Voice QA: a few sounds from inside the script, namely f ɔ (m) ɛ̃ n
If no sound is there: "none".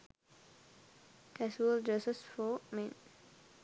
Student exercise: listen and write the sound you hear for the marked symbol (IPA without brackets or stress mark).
m